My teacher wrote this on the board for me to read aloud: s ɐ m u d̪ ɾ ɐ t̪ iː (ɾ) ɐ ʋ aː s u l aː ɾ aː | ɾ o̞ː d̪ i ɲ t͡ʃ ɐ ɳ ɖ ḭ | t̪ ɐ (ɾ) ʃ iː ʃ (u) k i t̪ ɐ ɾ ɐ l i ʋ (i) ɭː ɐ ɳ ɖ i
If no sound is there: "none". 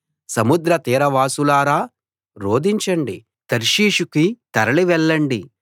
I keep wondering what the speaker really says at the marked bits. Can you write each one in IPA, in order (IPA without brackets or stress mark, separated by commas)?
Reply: ɾ, ɾ, u, ɛ